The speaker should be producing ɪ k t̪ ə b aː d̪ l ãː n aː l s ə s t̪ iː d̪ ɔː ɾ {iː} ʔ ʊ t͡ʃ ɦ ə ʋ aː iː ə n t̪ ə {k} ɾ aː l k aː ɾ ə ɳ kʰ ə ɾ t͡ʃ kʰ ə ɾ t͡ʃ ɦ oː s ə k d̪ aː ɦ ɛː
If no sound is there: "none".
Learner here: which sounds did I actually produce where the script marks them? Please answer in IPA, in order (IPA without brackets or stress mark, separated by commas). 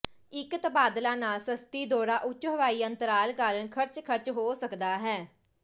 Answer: aː, none